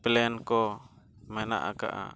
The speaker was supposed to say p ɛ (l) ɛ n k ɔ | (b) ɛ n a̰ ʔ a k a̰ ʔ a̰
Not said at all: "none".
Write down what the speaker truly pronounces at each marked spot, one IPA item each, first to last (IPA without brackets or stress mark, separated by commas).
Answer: l, m